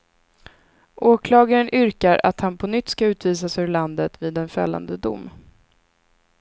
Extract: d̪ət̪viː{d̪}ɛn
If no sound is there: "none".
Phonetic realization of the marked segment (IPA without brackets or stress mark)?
d̪